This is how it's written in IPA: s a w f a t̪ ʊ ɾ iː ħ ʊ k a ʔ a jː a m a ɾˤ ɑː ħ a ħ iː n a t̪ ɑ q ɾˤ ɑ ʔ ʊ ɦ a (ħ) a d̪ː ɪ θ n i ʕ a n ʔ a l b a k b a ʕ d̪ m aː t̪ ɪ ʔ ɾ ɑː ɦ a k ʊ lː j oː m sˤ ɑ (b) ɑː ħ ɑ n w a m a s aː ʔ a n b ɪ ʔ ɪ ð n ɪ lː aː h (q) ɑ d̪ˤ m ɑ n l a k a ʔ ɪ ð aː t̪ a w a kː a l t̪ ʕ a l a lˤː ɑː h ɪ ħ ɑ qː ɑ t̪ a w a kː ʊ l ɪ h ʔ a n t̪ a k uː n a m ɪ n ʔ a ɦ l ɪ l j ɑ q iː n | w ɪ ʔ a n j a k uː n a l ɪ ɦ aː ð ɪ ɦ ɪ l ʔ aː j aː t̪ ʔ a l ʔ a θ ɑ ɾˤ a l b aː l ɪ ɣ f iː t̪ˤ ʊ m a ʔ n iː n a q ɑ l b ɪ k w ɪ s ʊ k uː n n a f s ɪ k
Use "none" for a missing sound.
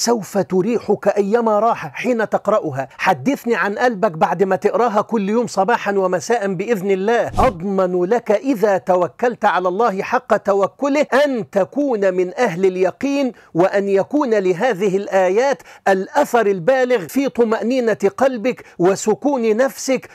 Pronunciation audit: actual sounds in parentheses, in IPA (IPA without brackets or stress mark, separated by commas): ħ, b, ʔ